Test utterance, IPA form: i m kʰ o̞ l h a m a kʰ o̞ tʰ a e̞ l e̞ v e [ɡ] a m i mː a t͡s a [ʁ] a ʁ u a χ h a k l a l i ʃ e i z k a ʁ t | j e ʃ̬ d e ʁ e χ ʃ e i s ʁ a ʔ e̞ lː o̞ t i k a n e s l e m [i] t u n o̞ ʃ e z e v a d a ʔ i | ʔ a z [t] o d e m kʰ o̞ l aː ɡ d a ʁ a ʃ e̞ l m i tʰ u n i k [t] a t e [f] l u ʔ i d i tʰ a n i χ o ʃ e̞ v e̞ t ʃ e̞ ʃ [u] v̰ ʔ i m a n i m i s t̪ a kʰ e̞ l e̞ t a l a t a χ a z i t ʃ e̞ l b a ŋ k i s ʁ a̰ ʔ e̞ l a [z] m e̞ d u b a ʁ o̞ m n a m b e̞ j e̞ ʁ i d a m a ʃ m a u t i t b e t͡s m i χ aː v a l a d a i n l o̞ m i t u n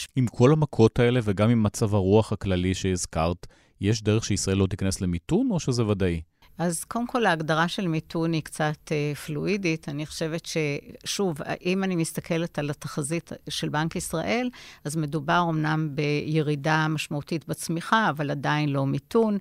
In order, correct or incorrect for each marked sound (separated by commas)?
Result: correct, incorrect, correct, incorrect, incorrect, correct, correct, correct